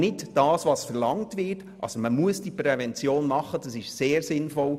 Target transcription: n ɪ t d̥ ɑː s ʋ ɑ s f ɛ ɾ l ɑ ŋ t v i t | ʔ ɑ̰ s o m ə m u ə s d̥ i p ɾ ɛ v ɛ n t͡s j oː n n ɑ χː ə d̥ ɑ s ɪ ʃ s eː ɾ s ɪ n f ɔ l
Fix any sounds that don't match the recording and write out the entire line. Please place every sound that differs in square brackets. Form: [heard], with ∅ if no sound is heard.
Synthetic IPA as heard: n ɪ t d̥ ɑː s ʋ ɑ s f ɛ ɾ l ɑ ŋ t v [ɪ] t | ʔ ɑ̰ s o m ə m u ə s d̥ i p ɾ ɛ v ɛ n t͡s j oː n [m] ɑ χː ə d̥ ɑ s ɪ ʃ s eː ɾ s ɪ n f ɔ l